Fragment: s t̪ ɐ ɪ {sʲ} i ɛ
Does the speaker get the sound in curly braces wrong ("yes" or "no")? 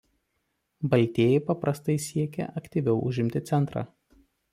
no